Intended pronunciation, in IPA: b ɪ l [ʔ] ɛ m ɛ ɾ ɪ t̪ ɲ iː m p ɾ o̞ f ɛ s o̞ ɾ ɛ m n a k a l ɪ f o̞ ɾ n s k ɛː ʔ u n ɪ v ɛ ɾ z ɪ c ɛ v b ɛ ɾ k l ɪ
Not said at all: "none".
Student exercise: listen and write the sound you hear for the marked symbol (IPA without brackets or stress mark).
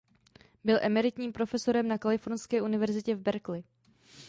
ʔ